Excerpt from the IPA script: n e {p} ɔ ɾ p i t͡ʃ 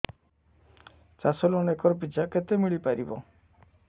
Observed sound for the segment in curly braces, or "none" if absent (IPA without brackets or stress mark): k